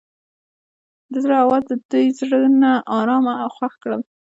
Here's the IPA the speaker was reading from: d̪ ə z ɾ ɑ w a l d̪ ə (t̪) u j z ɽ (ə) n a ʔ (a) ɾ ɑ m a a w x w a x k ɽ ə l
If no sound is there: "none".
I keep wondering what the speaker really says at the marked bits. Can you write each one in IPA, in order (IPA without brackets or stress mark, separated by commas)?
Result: d̪, ə, ɑ